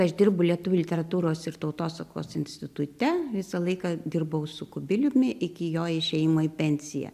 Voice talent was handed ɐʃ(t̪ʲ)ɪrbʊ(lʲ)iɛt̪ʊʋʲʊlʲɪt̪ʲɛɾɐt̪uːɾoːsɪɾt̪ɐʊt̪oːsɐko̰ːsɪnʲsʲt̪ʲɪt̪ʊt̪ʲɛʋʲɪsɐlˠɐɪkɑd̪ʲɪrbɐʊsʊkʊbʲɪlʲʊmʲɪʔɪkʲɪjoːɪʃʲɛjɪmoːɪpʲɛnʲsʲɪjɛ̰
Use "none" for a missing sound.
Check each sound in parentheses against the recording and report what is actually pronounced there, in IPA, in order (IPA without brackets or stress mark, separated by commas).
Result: d̪ʲ, lʲ